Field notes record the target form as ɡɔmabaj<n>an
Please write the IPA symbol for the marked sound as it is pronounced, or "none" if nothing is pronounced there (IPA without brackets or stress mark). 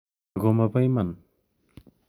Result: m